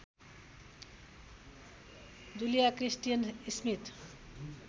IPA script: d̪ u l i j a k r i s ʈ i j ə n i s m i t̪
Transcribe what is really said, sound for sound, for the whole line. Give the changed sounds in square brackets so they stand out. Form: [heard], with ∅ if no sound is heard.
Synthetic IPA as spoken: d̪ u l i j a k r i s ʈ i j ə n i s m i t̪